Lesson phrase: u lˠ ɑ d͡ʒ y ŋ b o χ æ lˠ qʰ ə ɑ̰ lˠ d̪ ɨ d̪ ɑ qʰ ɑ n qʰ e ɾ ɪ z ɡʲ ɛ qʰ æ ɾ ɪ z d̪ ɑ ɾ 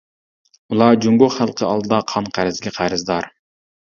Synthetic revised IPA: u lˠ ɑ d͡ʒ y ŋ ɡ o χ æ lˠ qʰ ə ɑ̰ lˠ d̪ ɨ d̪ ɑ qʰ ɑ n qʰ æ ɾ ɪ z ɡʲ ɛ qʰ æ ɾ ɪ z d̪ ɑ ɾ